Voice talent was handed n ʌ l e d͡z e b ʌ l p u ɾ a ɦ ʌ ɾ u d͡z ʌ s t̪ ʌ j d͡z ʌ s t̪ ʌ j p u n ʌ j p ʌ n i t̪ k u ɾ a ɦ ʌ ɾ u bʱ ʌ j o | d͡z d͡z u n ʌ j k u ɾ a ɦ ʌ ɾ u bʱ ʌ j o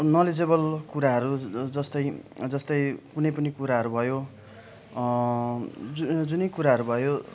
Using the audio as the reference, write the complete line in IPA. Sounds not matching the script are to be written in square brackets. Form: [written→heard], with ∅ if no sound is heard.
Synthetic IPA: n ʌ l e d͡z e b ʌ l [p→k] u ɾ a ɦ ʌ ɾ u d͡z ʌ s t̪ ʌ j d͡z ʌ s t̪ ʌ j [p→k] u n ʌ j p ʌ n i [t̪→∅] k u ɾ a ɦ ʌ ɾ u bʱ ʌ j o | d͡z d͡z u n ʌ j k u ɾ a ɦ ʌ ɾ u bʱ ʌ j o